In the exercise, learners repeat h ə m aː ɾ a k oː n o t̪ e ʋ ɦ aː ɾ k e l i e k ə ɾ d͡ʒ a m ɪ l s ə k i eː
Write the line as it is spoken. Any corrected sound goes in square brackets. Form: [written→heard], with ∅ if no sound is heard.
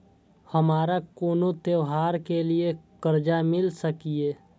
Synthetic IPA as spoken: h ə m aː ɾ a k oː n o t̪ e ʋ ɦ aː ɾ k e l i e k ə ɾ d͡ʒ a m ɪ l s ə k i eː